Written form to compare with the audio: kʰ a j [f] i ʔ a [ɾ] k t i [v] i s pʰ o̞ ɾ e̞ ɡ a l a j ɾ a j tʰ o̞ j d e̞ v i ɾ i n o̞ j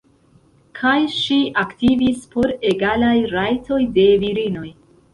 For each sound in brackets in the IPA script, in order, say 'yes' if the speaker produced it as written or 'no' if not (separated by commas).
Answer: no, no, yes